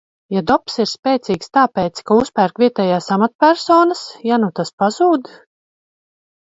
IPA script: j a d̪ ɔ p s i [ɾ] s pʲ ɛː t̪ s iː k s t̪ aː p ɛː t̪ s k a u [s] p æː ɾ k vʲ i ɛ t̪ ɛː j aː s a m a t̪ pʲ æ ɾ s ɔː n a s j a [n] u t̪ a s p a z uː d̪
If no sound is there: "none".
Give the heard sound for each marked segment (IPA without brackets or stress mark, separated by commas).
ɾ, s, n